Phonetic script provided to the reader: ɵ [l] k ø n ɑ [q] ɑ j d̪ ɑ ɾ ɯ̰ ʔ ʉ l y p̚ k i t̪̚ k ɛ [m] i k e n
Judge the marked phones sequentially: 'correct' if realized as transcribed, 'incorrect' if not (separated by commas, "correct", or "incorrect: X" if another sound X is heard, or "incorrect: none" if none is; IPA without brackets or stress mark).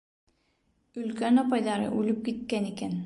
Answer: correct, incorrect: p, incorrect: n